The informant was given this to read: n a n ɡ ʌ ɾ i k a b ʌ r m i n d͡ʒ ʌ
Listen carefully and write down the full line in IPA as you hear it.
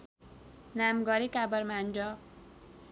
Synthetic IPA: n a m ɡ ʌ ɾ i k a b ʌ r m a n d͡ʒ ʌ